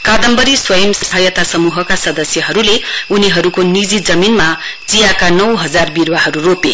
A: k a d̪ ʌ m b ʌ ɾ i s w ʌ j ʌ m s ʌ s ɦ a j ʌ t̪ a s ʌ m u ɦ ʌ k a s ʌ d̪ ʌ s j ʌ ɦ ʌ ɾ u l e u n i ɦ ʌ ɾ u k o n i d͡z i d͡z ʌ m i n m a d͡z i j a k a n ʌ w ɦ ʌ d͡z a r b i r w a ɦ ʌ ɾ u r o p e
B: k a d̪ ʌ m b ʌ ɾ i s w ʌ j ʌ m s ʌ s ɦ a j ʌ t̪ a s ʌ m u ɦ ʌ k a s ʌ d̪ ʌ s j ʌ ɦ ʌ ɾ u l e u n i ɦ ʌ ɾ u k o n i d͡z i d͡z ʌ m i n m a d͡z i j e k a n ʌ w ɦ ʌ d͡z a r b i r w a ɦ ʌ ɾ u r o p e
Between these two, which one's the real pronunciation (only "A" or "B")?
A